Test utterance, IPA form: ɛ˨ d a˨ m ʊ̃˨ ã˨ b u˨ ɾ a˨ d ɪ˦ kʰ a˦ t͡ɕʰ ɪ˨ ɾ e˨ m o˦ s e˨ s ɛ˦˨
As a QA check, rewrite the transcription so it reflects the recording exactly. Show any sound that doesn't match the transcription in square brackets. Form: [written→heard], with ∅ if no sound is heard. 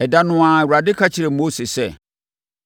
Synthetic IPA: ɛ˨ d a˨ [m→n] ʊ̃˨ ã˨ [b→w] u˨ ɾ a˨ d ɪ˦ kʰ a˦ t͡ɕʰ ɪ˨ ɾ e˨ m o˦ s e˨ s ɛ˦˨